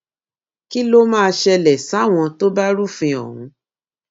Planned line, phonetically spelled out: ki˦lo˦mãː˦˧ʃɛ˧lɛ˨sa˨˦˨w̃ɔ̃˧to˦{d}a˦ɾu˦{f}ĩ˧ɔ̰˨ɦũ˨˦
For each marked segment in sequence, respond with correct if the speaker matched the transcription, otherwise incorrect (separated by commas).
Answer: incorrect, correct